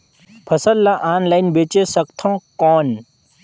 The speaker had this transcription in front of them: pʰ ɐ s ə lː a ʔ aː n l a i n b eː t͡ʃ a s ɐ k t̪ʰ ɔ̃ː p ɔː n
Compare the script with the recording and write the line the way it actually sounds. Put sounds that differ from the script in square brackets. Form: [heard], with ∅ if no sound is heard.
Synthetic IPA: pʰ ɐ s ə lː a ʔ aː n l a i n b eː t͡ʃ [e] s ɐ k t̪ʰ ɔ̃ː [k] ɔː n